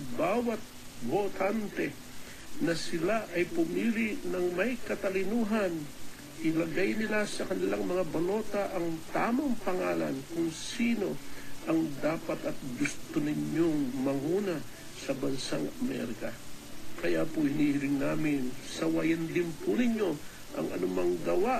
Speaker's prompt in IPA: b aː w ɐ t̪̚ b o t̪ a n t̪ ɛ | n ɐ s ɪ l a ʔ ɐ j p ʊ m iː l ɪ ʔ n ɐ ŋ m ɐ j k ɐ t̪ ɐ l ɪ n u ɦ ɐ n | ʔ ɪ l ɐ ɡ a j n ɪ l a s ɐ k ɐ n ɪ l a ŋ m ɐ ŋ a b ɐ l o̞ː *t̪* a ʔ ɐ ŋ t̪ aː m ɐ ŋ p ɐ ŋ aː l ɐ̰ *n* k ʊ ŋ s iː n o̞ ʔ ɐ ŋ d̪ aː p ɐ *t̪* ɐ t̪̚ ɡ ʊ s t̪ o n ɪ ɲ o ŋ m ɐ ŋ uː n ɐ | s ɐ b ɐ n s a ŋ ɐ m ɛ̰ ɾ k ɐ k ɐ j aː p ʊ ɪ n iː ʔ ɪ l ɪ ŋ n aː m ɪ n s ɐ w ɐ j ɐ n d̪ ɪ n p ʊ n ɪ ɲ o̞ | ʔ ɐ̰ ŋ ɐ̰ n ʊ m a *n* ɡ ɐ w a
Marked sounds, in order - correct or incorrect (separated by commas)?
correct, correct, correct, incorrect